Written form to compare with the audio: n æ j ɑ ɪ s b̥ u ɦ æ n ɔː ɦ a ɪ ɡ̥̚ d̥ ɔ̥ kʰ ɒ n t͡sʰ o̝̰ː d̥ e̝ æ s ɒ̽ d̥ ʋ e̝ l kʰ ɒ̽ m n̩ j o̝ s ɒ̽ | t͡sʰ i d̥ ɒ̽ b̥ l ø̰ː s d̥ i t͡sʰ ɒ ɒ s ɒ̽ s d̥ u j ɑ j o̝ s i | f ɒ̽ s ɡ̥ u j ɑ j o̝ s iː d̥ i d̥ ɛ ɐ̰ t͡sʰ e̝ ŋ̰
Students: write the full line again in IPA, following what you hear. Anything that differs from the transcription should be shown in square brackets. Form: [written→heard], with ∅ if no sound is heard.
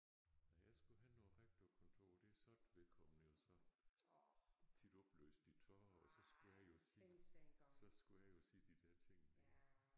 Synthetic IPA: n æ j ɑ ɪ s [b̥→ɡ̥] u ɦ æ n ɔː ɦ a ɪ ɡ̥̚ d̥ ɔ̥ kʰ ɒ n t͡sʰ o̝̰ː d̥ e̝ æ s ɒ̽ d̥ ʋ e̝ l kʰ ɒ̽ m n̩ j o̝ s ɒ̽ | t͡sʰ i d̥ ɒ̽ b̥ l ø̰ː s d̥ i t͡sʰ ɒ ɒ s ɒ̽ s [d̥→ɡ̥] u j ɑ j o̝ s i | [f→s] ɒ̽ s ɡ̥ u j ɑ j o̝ s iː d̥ i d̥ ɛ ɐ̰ t͡sʰ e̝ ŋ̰

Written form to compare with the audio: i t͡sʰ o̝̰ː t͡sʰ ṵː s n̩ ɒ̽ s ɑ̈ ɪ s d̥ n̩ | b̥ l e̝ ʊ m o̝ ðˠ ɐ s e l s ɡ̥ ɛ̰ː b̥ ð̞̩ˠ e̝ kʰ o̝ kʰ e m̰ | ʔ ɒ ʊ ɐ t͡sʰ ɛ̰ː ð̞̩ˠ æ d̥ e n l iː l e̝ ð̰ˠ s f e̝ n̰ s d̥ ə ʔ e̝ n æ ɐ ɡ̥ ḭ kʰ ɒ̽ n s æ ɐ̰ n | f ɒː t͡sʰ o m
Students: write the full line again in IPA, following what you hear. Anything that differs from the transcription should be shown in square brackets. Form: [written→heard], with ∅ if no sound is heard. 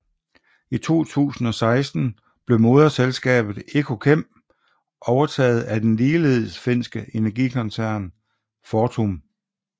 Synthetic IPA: i t͡sʰ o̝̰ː t͡sʰ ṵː s n̩ ɒ̽ s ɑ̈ ɪ s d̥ n̩ | b̥ l e̝ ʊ m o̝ ðˠ ɐ s e l s ɡ̥ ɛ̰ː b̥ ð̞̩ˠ e̝ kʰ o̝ kʰ e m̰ | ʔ ɒ ʊ ɐ t͡sʰ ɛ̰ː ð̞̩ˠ æ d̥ e n l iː l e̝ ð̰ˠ s f e̝ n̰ s [d̥→ɡ̥] ə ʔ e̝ n æ ɐ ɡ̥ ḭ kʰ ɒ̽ n s æ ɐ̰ n | f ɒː t͡sʰ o m

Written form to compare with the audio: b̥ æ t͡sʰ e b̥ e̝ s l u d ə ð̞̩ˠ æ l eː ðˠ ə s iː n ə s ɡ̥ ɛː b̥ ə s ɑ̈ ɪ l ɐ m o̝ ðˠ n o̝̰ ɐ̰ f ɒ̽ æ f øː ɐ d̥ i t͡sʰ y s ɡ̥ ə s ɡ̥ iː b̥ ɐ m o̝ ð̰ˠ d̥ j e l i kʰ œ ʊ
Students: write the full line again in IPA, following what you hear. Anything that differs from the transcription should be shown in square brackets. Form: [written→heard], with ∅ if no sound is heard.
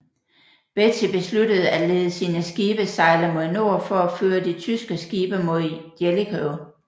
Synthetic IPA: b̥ [æ→e] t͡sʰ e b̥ e̝ s l u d ə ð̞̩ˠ æ l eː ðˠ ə s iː n ə s ɡ̥ [ɛː→iː] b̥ ə s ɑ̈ ɪ l ɐ m o̝ ðˠ n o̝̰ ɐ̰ f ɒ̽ æ f øː ɐ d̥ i t͡sʰ y s ɡ̥ ə s ɡ̥ iː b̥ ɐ m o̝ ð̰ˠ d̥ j e l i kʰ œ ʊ

